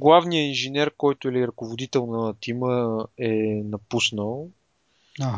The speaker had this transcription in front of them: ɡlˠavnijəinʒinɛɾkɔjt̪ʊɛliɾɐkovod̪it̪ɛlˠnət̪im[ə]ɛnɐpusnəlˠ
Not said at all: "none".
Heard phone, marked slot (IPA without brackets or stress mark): ə